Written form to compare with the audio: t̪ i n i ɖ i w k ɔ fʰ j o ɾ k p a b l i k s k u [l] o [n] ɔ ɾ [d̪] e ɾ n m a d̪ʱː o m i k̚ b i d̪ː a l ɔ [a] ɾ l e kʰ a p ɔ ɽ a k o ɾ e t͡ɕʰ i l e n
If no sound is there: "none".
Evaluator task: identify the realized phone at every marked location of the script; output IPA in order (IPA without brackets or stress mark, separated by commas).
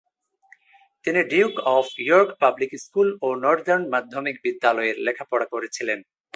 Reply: l, n, d̪, e